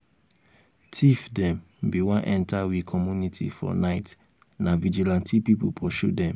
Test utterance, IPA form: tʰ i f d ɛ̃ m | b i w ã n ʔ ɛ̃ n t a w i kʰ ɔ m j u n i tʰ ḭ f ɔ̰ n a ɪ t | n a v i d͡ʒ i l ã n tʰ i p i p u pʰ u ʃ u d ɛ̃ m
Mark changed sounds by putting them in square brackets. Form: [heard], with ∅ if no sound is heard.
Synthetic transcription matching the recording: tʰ i f d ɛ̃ m | b i w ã n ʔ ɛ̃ n t a w i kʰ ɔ m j u n i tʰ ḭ f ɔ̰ n a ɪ t | n a v i d͡ʒ i l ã n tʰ i p i p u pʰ [ɔ] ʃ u d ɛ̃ m